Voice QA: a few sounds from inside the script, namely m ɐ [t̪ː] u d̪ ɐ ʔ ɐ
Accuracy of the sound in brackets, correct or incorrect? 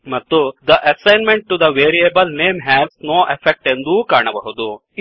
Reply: correct